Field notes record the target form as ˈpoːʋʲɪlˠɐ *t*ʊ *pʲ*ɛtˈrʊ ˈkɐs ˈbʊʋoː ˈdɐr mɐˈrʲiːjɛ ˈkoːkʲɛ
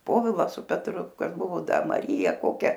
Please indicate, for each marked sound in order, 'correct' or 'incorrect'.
incorrect, correct

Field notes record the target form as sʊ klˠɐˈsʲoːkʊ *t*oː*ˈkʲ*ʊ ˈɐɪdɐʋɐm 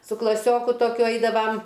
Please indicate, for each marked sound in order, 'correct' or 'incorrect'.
correct, correct

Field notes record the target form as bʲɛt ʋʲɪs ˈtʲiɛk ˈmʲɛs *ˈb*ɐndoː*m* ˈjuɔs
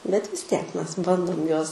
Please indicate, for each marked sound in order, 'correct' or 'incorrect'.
correct, correct

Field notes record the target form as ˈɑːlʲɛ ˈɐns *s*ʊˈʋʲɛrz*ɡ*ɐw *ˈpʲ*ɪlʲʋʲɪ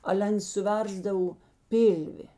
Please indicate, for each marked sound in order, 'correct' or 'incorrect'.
correct, incorrect, correct

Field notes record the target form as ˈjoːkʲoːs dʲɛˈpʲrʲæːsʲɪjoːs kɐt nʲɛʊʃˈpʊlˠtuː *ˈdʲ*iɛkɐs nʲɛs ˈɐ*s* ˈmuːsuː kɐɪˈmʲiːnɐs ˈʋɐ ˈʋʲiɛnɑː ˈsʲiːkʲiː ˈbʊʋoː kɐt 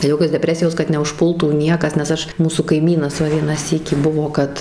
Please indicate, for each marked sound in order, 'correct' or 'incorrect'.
incorrect, incorrect

